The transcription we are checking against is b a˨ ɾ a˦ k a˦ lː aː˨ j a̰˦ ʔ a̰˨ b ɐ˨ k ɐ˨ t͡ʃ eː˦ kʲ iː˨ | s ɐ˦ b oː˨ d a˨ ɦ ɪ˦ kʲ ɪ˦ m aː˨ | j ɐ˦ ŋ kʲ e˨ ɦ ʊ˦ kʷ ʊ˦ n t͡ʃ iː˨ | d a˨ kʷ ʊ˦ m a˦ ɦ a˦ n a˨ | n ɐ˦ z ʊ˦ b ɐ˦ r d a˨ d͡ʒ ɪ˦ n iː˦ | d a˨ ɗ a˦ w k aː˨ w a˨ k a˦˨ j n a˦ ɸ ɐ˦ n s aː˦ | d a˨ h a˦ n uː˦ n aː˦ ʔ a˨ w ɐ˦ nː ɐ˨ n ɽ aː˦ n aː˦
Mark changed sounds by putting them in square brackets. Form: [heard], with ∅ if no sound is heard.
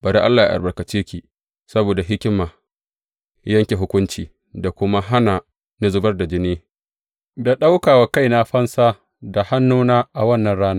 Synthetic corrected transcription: b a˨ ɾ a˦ [ʔ] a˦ lː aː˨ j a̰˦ ʔ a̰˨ b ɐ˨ k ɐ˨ t͡ʃ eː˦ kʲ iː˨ | s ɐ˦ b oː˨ d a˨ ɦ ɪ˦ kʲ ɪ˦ m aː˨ | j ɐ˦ ŋ kʲ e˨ ɦ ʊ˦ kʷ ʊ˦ n t͡ʃ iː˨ | d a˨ kʷ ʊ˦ m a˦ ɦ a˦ n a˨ | n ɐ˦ z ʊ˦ b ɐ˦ r d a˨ d͡ʒ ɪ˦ n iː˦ | d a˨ ɗ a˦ w k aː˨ w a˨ k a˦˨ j n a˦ ɸ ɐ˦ n s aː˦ | d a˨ h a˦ [nː] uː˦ n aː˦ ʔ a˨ w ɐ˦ nː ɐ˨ n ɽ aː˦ n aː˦